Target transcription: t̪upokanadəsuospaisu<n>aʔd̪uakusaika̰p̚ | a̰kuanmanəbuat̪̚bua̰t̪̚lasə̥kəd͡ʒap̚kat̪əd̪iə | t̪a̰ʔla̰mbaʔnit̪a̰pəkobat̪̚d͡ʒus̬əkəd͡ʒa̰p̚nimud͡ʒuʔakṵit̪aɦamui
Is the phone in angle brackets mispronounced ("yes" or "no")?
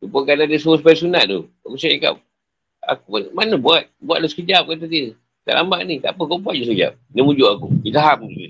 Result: no